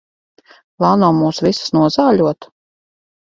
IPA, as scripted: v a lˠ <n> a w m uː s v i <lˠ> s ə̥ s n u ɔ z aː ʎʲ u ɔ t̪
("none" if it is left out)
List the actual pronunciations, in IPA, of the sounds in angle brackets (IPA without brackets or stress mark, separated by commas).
n, none